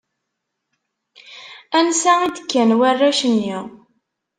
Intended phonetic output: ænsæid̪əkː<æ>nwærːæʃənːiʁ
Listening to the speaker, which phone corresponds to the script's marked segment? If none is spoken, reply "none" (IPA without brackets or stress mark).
æ